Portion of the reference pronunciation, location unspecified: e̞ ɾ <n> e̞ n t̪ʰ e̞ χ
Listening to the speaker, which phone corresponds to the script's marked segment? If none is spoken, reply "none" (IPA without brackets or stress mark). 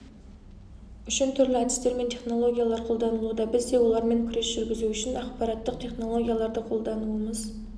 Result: m